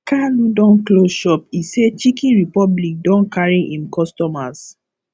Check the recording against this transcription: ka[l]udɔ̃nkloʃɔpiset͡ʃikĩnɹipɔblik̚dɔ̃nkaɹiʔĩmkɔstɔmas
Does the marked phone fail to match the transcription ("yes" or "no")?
no